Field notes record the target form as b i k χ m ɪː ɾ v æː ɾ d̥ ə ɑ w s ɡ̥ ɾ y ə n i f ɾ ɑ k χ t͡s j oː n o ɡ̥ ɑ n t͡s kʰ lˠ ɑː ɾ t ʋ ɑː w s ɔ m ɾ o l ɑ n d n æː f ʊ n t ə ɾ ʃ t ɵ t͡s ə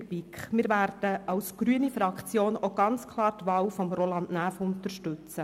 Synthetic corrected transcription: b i k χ m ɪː ɾ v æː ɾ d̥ ə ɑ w s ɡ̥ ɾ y ə n i f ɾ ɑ k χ t͡s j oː n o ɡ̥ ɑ n t͡s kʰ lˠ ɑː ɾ t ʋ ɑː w f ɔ m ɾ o l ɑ n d n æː f ʊ n t ə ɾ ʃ t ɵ t͡s ə